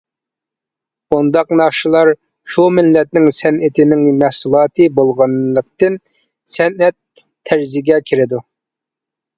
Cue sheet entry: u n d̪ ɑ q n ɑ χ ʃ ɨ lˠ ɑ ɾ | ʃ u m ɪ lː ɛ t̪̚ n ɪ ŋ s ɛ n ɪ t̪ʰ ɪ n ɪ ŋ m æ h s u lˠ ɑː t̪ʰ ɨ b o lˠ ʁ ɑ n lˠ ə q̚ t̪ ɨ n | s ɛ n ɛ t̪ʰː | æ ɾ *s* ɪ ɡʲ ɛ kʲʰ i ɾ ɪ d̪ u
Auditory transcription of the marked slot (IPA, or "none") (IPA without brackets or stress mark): z